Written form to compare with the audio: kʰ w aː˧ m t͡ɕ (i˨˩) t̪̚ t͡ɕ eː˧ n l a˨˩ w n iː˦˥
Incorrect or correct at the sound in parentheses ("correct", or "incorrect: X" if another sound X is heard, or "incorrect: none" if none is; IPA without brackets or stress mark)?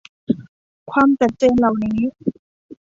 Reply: incorrect: a˨˩